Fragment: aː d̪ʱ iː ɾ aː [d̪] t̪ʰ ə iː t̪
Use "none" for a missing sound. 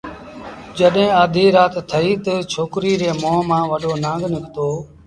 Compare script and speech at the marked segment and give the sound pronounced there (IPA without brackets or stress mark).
t̪